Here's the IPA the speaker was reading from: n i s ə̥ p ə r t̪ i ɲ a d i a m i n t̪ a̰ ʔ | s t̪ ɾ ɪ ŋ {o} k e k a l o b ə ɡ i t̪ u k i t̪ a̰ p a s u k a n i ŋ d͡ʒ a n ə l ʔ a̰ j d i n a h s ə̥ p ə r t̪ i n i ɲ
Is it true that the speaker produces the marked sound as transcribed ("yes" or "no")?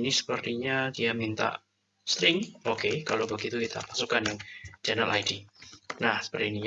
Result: yes